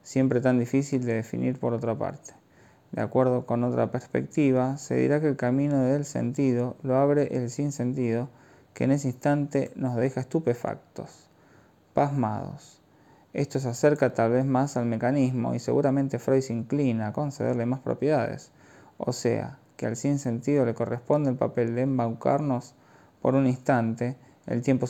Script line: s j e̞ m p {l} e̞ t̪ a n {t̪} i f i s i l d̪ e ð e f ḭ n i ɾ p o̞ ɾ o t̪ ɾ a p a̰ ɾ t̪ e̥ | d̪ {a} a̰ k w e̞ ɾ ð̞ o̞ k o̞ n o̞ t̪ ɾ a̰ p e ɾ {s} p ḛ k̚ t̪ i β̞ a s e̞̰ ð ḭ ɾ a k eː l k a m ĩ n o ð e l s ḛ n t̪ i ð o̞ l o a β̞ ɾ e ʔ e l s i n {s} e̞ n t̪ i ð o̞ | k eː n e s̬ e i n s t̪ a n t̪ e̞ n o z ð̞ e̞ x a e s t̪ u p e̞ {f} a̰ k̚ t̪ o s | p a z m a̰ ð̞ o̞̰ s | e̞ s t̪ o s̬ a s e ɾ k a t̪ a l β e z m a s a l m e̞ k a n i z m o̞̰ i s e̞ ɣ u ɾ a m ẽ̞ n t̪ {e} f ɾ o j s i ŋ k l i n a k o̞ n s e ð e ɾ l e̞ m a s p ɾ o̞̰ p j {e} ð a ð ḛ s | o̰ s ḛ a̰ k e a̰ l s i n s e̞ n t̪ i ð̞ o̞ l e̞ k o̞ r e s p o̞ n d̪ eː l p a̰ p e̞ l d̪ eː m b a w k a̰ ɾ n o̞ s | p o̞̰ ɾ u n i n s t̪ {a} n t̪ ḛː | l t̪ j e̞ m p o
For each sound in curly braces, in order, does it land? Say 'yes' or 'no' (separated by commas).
no, no, no, yes, yes, yes, yes, yes, yes